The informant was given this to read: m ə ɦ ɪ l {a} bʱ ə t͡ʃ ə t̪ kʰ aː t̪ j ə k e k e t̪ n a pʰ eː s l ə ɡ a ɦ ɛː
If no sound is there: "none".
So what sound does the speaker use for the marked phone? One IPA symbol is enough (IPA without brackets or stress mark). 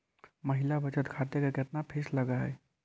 a